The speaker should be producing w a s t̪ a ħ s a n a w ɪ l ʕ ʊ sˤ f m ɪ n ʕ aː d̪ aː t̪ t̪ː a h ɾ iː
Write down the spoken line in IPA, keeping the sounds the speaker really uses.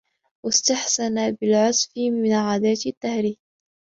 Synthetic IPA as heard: w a s t̪ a ħ s a n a b ɪ l ʕ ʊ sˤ f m ɪ n ʕ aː d̪ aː t̪ t̪ː a h ɾ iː